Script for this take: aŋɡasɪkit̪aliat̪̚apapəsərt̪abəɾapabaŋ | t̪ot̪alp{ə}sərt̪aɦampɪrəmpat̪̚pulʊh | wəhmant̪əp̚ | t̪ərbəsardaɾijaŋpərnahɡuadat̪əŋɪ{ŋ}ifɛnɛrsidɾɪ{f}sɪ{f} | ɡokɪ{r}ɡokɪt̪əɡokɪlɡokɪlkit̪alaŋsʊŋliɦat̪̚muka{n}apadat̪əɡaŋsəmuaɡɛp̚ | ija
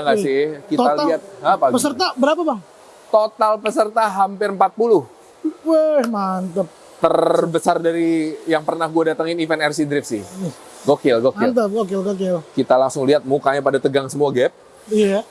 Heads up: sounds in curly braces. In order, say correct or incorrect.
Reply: correct, incorrect: n, correct, incorrect: h, incorrect: l, incorrect: ɲ

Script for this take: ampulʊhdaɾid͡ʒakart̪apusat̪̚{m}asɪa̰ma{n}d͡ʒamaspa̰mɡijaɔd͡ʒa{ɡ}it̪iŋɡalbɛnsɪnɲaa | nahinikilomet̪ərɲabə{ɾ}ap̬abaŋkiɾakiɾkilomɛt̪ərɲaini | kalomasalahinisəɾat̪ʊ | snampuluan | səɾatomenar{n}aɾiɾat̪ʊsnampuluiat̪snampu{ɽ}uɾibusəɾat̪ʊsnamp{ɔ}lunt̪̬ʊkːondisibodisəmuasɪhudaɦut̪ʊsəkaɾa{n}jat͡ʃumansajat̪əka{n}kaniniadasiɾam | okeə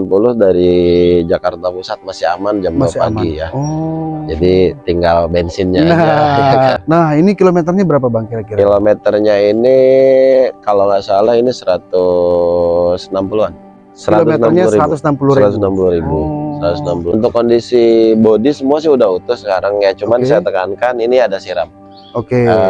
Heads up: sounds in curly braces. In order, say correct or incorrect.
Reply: correct, correct, incorrect: d, correct, incorrect: ɲ, incorrect: l, incorrect: u, incorrect: ŋ, correct

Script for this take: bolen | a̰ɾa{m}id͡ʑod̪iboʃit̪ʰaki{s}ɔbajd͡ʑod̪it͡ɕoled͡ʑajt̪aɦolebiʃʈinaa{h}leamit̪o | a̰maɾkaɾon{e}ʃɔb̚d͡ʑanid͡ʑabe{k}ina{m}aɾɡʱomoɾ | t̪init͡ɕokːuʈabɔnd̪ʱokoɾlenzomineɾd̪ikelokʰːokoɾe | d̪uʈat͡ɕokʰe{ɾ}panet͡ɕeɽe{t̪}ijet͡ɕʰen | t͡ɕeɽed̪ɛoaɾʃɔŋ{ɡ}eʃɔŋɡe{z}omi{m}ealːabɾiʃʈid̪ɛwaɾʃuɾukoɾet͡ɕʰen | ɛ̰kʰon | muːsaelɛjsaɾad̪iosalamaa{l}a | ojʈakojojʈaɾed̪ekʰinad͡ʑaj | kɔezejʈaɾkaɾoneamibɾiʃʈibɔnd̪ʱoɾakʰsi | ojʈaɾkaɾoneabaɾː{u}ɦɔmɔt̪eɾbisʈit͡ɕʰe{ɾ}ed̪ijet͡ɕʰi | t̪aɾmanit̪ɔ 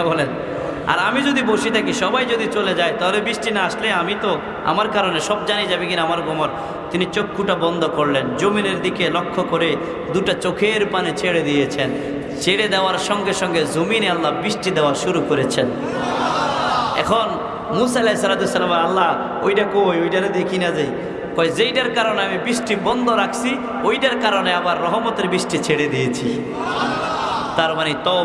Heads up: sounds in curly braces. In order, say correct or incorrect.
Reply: correct, incorrect: ʃ, incorrect: ʃ, correct, correct, correct, correct, incorrect: d̪, correct, correct, incorrect: n, incorrect: lː, incorrect: ɔ, incorrect: ɽ

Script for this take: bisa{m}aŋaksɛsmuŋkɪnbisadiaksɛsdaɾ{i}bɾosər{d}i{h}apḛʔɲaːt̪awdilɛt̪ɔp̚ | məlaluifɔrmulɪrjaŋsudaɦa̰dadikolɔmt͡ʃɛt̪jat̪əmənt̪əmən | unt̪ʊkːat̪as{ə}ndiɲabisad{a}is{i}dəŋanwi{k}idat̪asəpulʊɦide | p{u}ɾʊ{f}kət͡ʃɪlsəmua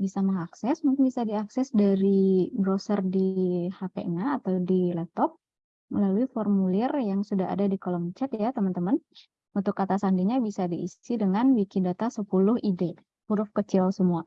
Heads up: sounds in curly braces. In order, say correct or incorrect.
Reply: correct, correct, correct, correct, incorrect: a, incorrect: i, correct, correct, correct, correct

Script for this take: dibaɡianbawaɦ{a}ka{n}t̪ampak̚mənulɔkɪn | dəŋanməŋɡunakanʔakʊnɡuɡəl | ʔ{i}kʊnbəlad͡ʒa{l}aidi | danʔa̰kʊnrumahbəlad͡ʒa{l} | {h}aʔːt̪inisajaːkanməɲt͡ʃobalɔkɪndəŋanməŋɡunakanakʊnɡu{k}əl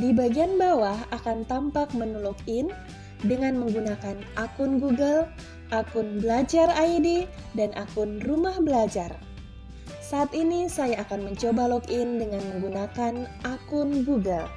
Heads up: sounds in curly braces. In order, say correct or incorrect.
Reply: correct, correct, incorrect: a, incorrect: r, incorrect: r, incorrect: s, incorrect: ɡ

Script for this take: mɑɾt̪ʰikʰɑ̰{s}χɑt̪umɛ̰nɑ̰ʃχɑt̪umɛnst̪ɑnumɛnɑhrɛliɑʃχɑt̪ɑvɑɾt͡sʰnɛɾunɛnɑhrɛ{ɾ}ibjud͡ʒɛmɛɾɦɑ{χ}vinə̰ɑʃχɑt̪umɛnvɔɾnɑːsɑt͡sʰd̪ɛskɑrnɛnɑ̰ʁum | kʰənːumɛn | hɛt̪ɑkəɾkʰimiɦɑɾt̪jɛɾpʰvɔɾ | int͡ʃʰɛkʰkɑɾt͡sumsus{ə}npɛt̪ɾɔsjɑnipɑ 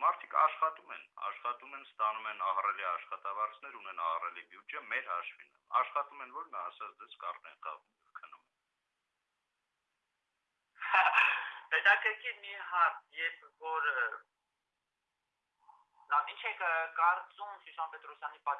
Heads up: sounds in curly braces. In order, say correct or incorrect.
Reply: incorrect: ʃ, incorrect: l, incorrect: ʃ, incorrect: ɑ

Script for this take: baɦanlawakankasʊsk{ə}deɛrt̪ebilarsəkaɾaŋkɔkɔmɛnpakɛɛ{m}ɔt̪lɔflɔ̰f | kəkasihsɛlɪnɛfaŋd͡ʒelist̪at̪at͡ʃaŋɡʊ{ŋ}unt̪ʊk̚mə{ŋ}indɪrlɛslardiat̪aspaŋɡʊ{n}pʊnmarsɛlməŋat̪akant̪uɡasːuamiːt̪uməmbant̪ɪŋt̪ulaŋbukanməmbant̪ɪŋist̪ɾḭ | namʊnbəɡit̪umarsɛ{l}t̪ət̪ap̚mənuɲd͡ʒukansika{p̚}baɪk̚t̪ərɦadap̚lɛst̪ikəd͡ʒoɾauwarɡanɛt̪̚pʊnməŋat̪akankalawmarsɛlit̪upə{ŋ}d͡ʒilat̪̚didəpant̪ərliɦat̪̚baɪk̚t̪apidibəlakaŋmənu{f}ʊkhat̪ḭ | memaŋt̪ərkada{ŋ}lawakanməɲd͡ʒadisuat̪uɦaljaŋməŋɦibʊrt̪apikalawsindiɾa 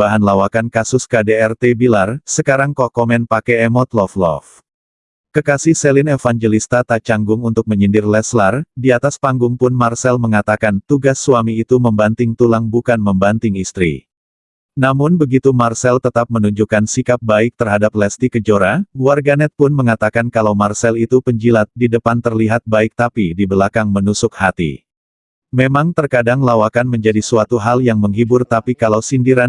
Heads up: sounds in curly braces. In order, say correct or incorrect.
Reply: incorrect: a, correct, correct, incorrect: ɲ, incorrect: ŋ, correct, correct, incorrect: ɲ, incorrect: s, correct

